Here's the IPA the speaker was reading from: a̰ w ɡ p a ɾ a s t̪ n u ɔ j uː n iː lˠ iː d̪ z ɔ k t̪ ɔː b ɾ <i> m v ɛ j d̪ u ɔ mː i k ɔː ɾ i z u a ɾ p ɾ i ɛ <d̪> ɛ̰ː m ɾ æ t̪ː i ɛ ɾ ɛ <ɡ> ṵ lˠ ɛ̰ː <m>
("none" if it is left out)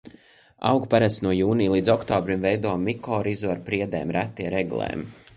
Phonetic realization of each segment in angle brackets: i, d̪, ɡ, m

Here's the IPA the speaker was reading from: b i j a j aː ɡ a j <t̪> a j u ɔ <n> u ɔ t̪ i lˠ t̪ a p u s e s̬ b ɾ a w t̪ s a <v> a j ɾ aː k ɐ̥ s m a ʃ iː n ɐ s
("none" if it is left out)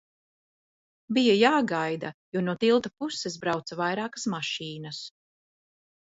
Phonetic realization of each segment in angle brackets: d̪, n, v

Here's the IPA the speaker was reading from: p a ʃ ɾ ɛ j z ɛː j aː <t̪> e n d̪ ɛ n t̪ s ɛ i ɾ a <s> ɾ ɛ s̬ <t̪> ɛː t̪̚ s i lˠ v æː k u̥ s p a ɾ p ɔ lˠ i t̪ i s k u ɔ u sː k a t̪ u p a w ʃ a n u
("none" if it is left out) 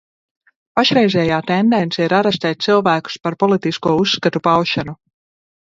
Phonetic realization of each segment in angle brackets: t̪, none, t̪

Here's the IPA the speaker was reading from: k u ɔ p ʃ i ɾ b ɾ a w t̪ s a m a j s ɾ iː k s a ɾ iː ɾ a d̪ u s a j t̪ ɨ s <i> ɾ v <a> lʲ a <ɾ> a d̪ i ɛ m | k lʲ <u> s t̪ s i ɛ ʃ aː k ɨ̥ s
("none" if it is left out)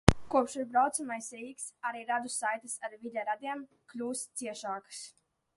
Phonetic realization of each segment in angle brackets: a, i, ɾ, uː

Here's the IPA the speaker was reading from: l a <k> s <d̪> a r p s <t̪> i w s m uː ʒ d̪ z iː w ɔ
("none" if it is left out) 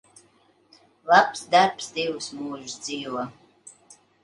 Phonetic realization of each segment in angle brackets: p, d̪, d̪

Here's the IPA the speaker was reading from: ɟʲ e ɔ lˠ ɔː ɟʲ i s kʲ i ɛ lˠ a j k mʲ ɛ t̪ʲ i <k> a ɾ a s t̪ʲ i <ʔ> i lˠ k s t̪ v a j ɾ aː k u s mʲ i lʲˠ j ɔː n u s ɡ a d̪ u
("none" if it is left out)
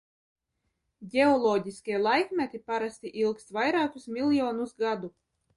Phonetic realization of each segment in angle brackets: p, ʔ

